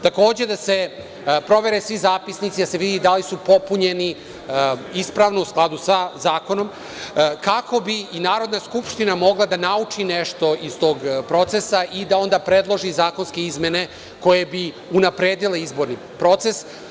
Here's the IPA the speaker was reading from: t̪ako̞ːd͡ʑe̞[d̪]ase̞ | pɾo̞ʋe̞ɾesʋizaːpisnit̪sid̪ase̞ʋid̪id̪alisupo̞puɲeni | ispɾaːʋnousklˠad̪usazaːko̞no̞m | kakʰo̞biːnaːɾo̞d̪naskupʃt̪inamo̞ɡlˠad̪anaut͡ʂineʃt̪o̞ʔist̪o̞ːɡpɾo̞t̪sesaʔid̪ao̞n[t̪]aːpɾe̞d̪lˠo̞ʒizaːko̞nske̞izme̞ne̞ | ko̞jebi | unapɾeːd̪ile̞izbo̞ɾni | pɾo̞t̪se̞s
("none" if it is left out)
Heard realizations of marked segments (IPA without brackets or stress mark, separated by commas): d̪, d̪